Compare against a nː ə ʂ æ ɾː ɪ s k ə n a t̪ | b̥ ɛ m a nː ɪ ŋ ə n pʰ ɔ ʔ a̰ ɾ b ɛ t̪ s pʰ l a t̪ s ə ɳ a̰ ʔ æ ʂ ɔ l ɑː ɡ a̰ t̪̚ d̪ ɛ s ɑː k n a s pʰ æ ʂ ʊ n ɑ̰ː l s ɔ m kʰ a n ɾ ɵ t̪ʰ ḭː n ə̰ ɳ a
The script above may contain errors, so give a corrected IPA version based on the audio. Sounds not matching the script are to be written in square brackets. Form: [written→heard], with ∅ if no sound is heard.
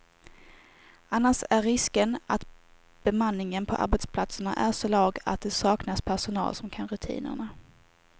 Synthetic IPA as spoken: a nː [ə→a] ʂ æ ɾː ɪ s k ə n a t̪ | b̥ ɛ m a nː ɪ ŋ ə n pʰ ɔ ʔ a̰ ɾ b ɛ t̪ s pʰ l a t̪ s ə ɳ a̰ ʔ æ ʂ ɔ l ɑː ɡ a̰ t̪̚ d̪ ɛ s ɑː k n a s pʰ æ ʂ ʊ n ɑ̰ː l s ɔ m kʰ a n ɾ ɵ t̪ʰ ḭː n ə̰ ɳ a